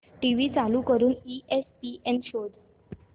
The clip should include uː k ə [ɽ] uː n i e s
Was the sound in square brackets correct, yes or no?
no